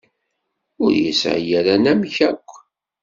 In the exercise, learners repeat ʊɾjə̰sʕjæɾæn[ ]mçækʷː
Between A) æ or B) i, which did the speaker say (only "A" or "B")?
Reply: A